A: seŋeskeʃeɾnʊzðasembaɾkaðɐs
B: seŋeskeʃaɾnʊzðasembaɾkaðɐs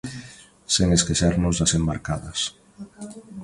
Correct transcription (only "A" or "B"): B